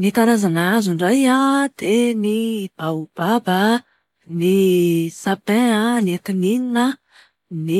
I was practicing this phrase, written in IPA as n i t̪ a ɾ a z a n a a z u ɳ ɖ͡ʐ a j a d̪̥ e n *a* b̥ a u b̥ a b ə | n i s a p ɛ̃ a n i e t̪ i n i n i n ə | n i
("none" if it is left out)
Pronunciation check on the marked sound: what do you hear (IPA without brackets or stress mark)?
i